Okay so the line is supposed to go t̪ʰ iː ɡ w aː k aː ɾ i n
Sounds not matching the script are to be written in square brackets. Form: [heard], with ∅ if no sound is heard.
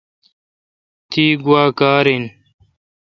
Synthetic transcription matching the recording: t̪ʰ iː ɡ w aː k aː ɾ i n